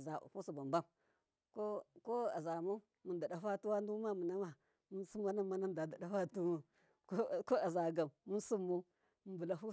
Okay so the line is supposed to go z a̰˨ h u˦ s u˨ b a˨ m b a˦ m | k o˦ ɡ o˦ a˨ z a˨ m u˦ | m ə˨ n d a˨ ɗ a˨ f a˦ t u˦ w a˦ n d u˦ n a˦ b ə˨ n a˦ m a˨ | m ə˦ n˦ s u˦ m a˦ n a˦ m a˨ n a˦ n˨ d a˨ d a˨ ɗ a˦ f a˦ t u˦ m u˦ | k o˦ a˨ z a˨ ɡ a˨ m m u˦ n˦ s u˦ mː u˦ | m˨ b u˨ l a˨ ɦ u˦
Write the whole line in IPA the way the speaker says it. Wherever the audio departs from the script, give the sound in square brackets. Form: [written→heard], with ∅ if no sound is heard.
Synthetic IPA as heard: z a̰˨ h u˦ s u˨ b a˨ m b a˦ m | k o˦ [ɡ→k] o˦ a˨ z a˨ m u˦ | m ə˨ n d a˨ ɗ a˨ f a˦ t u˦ w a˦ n d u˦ [n→m] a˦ [b→m] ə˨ n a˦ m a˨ | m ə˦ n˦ s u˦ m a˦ n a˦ m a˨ n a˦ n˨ d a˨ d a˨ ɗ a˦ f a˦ t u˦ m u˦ | k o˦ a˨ z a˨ ɡ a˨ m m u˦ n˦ s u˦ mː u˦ | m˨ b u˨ l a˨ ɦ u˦

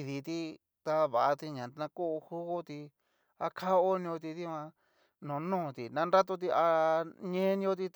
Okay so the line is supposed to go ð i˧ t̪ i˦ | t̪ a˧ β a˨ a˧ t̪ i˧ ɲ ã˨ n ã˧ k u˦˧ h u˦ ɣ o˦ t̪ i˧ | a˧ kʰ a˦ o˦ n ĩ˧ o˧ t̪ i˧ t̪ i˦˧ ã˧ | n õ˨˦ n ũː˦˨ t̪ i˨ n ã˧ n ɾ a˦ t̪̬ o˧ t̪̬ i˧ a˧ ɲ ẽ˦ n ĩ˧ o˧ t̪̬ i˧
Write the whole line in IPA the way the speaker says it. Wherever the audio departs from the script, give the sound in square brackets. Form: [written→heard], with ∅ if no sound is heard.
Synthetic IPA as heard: ð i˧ t̪ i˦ | t̪ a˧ β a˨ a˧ t̪ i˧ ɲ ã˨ n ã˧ k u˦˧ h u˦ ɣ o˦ t̪ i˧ | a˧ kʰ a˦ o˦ n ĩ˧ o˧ t̪ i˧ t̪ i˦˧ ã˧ | n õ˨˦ n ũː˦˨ t̪ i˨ n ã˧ n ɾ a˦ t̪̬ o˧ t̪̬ i˧ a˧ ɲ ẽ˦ n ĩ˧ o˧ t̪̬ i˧

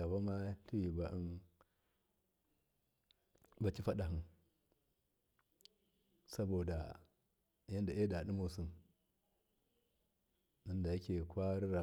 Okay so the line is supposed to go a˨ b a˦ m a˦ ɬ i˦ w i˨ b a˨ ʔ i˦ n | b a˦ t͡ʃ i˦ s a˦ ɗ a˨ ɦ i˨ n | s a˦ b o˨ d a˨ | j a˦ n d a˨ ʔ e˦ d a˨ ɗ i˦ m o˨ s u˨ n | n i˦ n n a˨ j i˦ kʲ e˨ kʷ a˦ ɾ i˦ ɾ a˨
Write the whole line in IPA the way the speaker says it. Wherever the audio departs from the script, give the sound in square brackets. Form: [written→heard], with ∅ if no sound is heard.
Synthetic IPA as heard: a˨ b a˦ m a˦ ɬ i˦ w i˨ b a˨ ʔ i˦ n | b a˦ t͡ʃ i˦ [s→f] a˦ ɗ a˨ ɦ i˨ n | s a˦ b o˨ d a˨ | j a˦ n d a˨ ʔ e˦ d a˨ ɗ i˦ m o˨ s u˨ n | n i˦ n [n→d] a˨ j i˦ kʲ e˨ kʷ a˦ ɾ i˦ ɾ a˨

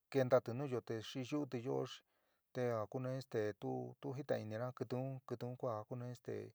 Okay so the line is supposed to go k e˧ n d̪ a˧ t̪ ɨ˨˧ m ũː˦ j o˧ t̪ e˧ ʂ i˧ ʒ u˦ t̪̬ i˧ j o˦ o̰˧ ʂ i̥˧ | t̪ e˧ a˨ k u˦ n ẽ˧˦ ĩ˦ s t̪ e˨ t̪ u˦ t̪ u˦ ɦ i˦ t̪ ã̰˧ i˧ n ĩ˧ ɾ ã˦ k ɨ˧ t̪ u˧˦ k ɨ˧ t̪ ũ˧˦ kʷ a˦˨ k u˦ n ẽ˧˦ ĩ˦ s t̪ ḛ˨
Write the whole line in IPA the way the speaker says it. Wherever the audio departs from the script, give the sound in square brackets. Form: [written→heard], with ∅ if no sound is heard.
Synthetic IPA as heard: k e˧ n d̪ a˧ t̪ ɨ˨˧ [m→n] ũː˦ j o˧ t̪ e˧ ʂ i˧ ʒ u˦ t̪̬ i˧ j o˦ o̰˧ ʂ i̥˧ | t̪ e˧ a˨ k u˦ n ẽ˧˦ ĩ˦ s t̪ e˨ t̪ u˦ t̪ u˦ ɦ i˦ t̪ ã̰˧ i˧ n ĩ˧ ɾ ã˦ k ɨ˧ t̪ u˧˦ k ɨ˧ t̪ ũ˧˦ kʷ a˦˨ k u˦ n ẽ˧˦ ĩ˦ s t̪ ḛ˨

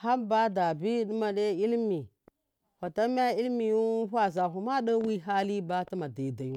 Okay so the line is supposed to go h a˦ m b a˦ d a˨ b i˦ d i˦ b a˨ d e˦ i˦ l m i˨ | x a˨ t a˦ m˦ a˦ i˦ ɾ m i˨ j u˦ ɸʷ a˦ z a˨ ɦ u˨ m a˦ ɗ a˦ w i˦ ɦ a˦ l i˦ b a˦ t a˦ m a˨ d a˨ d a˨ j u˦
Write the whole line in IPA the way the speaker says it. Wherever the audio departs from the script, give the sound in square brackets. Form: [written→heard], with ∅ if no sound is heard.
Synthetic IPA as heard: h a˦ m b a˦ d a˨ b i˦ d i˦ [b→m] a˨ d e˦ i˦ l m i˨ | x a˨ t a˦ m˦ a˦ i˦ [ɾ→l] m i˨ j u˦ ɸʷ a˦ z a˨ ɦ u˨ m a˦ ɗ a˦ w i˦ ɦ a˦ l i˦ b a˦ t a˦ m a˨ d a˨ d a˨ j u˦

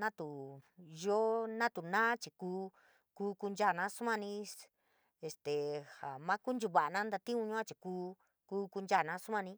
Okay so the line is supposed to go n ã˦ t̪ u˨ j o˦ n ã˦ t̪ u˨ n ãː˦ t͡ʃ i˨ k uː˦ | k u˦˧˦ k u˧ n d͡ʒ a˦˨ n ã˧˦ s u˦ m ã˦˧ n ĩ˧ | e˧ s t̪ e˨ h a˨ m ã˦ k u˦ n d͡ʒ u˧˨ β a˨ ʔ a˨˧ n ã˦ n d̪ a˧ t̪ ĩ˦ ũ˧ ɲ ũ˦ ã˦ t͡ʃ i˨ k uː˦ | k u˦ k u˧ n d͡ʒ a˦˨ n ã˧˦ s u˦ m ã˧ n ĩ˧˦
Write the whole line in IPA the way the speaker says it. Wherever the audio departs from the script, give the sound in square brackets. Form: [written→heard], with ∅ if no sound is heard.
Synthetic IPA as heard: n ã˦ t̪ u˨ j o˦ n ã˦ t̪ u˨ n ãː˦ t͡ʃ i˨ k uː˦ | k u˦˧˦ k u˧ n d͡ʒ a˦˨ n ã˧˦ s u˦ m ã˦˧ n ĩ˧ | e˧ s t̪ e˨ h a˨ m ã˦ k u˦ n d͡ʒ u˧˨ β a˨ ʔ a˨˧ n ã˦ n d̪ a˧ t̪ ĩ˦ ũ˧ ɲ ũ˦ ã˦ t͡ʃ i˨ k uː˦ | k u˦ k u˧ n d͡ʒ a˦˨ n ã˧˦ s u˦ m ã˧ n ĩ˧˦

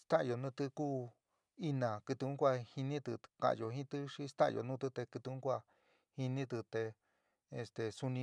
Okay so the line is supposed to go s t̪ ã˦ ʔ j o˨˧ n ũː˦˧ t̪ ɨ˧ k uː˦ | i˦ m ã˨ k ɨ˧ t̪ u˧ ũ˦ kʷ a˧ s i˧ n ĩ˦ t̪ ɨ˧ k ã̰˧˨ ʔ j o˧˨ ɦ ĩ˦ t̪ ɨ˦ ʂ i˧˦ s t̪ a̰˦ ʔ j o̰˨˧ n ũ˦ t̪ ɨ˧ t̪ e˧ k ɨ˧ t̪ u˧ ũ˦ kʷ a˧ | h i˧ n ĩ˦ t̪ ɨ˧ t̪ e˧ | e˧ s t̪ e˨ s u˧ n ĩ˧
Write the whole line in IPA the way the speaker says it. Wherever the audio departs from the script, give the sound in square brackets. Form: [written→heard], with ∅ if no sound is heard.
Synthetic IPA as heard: s t̪ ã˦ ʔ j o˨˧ n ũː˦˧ t̪ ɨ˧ k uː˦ | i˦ [m→n] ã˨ k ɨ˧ t̪ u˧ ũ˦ kʷ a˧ [s→h] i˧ n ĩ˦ t̪ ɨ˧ k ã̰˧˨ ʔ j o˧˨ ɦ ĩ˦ t̪ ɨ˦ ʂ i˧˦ s t̪ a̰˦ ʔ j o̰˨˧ n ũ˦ t̪ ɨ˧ t̪ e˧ k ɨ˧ t̪ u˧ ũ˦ kʷ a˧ | h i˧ n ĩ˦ t̪ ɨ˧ t̪ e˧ | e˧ s t̪ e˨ s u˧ n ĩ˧

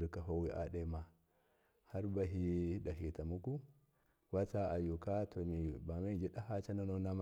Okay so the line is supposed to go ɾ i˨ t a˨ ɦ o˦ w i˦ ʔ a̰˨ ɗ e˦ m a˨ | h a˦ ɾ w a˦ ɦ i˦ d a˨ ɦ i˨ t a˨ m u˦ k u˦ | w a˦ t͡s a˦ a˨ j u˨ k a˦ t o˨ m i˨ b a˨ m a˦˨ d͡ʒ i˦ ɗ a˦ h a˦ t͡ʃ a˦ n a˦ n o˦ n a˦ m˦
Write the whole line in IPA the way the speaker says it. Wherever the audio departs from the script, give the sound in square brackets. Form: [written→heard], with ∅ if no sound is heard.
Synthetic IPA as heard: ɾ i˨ [t→k] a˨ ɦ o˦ w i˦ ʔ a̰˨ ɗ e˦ m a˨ | h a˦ ɾ [w→b] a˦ ɦ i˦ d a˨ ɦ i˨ t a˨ m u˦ k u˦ | w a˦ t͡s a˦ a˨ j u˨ k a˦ t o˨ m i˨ b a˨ m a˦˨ d͡ʒ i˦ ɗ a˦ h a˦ t͡ʃ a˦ n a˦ n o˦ n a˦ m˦

